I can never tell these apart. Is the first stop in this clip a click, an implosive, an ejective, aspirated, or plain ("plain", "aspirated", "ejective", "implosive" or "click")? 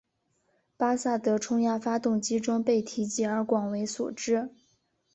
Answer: plain